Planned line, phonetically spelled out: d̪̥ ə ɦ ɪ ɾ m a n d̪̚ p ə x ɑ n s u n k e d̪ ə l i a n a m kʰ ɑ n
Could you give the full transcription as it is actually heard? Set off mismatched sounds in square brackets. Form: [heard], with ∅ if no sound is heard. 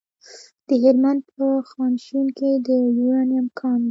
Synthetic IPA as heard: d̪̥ ə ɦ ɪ ɾ m a n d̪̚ p ə x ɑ n [ʃ] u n k e d̪ ə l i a n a m kʰ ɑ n